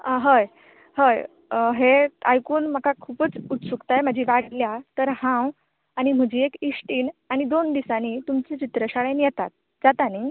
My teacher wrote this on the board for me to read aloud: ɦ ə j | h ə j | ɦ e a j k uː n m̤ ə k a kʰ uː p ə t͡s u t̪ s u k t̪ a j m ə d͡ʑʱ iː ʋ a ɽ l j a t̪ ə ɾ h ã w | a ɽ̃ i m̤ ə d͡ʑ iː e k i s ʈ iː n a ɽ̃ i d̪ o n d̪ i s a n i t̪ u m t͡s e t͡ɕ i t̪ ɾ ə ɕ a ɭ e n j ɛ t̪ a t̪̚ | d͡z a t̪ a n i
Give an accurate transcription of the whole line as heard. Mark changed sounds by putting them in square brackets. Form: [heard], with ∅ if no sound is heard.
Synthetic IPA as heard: ɦ ə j | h ə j | ɦ e a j k uː n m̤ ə k a kʰ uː p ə t͡s u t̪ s u k t̪ a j m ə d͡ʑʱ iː ʋ a ɽ l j a t̪ ə ɾ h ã w | a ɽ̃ i m̤ ə d͡ʑ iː e k i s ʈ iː n a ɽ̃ i d̪ o n d̪ i s a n i t̪ u m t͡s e t͡ɕ i t̪ ɾ ə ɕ a ɭ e n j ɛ t̪ a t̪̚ | d͡z a t̪ a n i